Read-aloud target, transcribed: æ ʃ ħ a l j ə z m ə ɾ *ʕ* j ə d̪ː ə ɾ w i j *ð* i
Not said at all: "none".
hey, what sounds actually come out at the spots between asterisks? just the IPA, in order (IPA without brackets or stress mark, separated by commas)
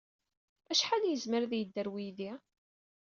ð, ð